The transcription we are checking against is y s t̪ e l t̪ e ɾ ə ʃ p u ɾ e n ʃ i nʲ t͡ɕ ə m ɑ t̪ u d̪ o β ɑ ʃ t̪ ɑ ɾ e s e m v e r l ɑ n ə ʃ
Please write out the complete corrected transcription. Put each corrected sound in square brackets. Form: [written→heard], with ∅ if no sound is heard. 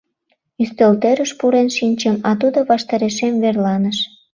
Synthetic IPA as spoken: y s t̪ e l t̪ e ɾ ə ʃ p u ɾ e n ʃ i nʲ t͡ɕ ə m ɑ t̪ u d̪ o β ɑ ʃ t̪ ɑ ɾ e [s→ʃ] e m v e r l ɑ n ə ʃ

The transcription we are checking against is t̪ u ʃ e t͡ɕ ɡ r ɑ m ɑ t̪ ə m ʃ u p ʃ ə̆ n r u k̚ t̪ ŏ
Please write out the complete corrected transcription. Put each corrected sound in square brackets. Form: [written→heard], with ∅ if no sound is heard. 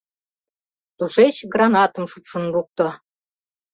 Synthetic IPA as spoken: t̪ u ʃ e t͡ɕ ɡ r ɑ [m→n] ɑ t̪ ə m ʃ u p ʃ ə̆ n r u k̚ t̪ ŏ

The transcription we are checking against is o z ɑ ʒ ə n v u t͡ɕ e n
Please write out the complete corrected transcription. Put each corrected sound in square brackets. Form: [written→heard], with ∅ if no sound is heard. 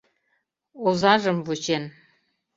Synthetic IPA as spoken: o z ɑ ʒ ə [n→m] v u t͡ɕ e n

